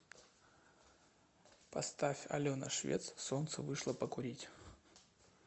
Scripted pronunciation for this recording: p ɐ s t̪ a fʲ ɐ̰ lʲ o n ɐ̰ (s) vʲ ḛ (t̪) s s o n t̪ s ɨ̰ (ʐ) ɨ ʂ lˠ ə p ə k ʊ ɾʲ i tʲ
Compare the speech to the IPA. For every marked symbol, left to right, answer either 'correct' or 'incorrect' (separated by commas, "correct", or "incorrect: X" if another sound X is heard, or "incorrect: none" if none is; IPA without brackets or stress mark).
incorrect: ʂ, correct, incorrect: v